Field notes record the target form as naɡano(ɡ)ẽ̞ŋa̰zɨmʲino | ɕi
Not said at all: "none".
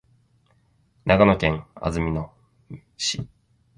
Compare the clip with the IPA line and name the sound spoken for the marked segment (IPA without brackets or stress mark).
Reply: k